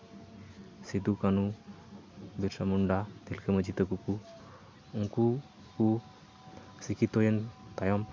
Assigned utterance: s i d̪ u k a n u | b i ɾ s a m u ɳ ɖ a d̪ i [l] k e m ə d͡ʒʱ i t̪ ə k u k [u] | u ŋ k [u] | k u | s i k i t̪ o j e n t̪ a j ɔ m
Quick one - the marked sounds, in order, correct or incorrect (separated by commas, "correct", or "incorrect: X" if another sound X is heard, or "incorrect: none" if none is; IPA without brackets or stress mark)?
correct, correct, correct